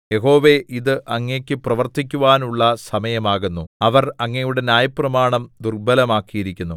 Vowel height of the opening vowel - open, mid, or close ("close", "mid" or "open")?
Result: mid